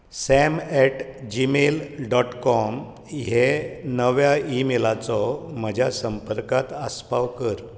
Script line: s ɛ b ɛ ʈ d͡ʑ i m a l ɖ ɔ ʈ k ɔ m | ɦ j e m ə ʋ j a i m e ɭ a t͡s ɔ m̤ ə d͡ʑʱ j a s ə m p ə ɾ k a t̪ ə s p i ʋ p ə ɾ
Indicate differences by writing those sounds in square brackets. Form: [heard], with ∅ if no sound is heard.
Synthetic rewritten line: s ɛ [m] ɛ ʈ d͡ʑ i m [e] l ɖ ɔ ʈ k ɔ m | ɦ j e [n] ə ʋ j a i m e [l] a t͡s ɔ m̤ ə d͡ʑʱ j a s ə m p ə ɾ k a t̪ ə s p [a] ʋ [k] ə ɾ